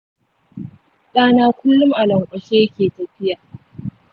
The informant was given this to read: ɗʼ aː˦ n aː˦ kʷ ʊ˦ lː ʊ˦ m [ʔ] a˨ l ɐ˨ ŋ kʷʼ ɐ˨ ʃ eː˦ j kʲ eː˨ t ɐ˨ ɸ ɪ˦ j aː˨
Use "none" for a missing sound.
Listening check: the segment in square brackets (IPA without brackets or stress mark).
ʔ